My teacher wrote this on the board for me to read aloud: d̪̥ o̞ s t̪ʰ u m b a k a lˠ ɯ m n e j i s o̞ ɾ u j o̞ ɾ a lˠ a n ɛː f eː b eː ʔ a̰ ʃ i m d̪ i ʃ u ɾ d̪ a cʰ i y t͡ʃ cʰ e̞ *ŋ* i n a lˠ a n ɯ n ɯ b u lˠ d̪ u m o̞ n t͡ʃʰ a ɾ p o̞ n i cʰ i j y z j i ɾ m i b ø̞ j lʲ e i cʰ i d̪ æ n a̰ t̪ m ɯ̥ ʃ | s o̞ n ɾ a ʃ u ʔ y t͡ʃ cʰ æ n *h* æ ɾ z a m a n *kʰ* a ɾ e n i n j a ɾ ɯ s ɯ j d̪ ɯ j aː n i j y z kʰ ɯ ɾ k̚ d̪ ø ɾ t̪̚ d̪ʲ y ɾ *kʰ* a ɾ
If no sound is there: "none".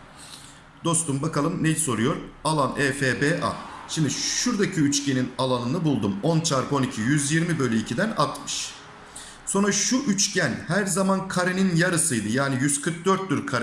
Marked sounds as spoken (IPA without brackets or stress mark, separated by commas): n, h, kʰ, kʰ